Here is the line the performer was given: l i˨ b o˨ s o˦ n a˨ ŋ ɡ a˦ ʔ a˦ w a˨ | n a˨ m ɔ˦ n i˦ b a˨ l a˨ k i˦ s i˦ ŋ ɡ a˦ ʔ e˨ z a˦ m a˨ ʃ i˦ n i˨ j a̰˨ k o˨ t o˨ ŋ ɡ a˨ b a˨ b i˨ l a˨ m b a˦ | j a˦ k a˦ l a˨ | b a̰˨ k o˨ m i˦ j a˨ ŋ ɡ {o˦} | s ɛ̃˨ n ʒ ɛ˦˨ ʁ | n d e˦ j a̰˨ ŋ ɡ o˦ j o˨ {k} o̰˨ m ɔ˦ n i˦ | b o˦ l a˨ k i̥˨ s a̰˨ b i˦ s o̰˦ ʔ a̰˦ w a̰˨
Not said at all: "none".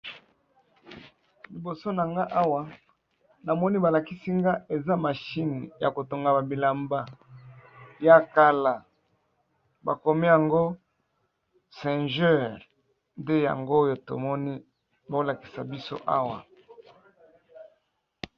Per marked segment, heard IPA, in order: o˦, t

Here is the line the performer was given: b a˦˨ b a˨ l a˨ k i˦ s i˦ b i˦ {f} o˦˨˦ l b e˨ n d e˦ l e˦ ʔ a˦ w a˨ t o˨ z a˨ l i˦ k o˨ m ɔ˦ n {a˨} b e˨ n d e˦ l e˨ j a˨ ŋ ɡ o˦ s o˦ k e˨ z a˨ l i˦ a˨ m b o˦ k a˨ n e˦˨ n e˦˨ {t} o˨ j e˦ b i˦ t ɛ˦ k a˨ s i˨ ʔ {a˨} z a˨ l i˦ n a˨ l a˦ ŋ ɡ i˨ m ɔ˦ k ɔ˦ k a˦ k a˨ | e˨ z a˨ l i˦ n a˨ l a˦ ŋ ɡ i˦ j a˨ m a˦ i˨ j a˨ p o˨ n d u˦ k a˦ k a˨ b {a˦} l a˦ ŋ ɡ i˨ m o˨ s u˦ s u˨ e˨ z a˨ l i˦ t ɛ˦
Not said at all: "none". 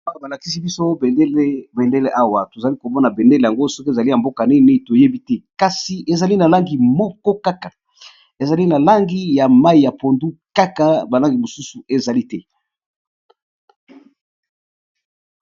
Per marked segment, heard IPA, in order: s, a˨, t, e˨, a˨

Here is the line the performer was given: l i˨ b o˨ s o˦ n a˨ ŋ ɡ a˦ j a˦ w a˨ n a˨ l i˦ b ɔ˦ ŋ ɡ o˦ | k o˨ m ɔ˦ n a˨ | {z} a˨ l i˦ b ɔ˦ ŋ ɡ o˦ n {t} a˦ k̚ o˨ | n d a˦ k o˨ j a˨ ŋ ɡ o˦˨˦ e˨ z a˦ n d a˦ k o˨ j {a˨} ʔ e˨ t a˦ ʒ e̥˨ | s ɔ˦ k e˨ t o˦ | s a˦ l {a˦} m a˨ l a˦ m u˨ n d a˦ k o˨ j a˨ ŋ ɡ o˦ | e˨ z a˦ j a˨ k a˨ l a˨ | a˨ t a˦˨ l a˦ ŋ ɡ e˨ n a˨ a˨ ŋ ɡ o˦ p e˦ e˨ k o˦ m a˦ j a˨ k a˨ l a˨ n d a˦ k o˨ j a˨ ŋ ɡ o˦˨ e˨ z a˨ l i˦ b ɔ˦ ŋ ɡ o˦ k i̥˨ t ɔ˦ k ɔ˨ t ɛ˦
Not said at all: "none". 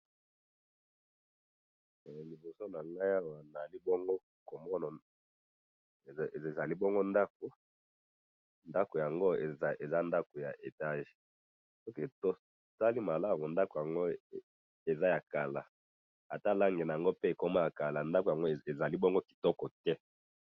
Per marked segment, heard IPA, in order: z, d, a˨, i˦

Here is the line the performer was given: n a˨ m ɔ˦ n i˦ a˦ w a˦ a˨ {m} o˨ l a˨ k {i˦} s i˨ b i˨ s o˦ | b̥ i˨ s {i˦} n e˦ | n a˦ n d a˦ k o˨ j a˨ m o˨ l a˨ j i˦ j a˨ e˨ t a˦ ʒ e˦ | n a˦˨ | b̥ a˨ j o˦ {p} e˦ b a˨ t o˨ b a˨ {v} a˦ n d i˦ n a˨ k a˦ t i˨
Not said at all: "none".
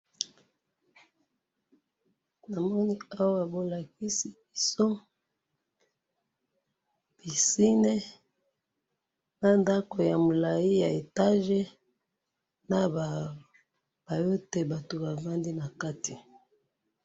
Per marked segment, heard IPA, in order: b, i˦, i˦, t, v

